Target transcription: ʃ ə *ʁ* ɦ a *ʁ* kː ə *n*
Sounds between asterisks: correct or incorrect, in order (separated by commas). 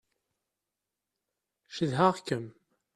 incorrect, correct, incorrect